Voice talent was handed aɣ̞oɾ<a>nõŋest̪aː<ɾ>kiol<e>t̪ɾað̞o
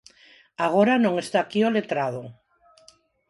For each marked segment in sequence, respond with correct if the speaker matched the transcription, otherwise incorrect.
correct, incorrect, correct

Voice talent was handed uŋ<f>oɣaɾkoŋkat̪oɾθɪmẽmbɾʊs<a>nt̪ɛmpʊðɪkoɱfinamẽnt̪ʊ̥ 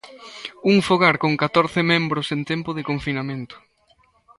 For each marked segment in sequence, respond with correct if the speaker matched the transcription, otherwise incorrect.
correct, incorrect

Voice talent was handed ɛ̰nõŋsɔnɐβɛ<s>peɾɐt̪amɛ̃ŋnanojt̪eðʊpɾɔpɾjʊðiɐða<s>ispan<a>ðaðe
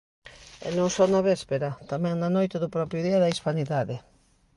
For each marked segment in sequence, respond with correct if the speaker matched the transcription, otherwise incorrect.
correct, incorrect, incorrect

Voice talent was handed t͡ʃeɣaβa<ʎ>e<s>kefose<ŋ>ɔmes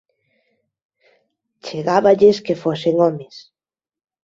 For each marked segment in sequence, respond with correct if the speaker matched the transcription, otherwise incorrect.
correct, correct, correct

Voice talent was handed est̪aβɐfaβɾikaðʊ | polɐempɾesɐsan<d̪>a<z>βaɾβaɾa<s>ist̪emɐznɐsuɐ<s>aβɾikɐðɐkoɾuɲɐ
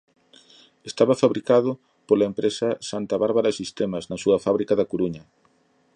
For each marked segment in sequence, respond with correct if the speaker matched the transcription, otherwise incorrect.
incorrect, incorrect, correct, incorrect

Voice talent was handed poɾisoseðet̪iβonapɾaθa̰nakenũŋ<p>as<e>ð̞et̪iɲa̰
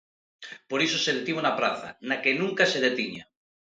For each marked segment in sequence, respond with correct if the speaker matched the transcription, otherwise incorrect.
incorrect, correct

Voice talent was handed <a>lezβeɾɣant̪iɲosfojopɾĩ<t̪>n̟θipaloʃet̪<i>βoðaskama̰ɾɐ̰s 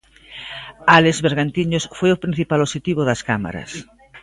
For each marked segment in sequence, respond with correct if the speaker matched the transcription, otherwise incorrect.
correct, incorrect, correct

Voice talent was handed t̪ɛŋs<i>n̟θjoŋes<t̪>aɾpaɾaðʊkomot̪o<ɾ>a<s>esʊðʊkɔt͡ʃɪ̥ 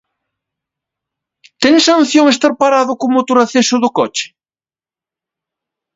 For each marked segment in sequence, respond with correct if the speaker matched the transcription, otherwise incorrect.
incorrect, correct, correct, incorrect

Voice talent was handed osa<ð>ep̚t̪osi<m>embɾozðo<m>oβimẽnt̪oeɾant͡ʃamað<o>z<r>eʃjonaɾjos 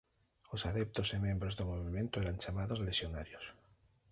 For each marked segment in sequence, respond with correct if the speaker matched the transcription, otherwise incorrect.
correct, correct, correct, correct, incorrect

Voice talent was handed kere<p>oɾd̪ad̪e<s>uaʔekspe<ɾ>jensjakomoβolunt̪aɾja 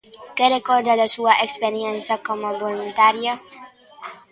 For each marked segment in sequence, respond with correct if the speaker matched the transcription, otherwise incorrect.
incorrect, correct, correct

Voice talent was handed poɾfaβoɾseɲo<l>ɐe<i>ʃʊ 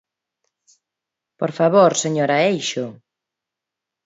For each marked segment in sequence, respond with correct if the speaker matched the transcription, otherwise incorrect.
incorrect, incorrect

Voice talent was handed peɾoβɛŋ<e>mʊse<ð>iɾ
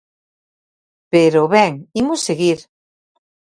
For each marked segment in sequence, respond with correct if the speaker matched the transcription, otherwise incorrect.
incorrect, incorrect

